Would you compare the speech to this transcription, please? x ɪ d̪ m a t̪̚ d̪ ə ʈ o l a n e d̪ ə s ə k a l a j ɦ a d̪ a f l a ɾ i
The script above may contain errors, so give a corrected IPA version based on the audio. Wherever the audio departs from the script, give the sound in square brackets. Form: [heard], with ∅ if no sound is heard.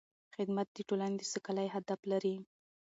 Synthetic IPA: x ɪ d̪ m a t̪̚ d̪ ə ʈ o l a n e d̪ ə s ə k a l a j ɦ a d̪ a f l a ɾ i